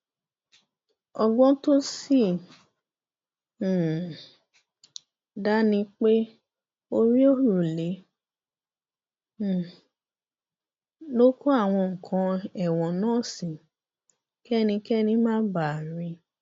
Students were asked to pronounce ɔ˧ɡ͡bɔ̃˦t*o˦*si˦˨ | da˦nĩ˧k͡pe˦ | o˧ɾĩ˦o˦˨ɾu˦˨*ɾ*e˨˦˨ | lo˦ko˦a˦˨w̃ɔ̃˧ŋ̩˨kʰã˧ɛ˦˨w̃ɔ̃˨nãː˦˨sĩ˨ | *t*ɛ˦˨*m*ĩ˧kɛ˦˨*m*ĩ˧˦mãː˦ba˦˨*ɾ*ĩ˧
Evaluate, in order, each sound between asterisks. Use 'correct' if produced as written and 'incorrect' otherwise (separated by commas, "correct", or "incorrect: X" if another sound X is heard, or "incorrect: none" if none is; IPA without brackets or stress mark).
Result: correct, incorrect: l, incorrect: k, incorrect: n, incorrect: n, correct